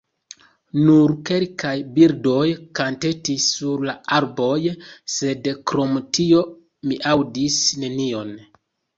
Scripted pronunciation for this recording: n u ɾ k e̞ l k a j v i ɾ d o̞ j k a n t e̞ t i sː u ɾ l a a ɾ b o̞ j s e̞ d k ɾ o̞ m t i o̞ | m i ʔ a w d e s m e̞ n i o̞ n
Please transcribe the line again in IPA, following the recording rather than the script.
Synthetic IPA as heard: n u ɾ k e̞ l k a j b i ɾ d o̞ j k a n t e̞ t i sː u ɾ l a a ɾ b o̞ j s e̞ d k ɾ o̞ m t i o̞ | m i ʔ a w d i s n e̞ n i o̞ n